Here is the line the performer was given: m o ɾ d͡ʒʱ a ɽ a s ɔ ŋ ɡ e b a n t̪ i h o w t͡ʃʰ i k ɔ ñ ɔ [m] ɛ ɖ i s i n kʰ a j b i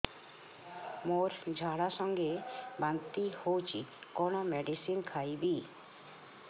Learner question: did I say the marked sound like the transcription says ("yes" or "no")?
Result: yes